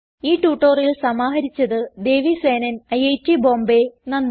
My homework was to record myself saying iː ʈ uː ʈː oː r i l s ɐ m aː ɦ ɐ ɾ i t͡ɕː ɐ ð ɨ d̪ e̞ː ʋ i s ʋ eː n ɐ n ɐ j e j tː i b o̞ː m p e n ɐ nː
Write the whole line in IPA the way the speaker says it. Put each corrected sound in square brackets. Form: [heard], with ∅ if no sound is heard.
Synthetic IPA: iː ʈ uː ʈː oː r i l s ɐ m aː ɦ ɐ ɾ i t͡ɕː ɐ ð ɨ d̪ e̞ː ʋ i s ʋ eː n ɐ n ɐ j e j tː i b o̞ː m [b] e n ɐ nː